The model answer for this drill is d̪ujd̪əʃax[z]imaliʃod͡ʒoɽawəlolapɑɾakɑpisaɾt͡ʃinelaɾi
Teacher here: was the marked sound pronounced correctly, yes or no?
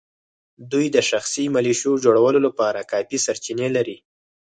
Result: no